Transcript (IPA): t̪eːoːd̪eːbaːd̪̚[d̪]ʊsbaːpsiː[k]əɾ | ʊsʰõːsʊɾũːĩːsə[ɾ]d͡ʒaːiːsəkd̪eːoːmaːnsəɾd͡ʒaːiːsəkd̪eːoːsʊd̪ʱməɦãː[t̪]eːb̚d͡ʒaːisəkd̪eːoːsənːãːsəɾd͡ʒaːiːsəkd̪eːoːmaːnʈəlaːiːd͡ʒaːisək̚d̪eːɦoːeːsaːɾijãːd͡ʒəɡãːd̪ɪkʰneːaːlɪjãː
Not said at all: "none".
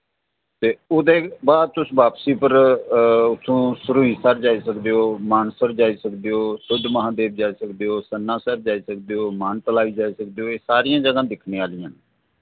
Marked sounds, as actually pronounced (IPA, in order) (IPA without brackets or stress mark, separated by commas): t̪, p, ɾ, d̪